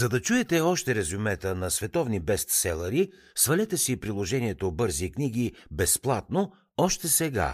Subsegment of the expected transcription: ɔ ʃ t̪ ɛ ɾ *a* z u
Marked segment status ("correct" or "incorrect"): incorrect